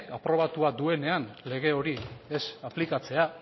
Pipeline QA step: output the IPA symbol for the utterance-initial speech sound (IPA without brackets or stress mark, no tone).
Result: a